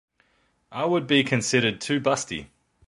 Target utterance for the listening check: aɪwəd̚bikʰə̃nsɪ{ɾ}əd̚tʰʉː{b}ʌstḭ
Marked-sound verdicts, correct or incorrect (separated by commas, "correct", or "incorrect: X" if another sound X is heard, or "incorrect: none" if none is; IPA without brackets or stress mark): correct, correct